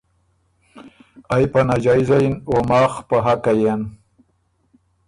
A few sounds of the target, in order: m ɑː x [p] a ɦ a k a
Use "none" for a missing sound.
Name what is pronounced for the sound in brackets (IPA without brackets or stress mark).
p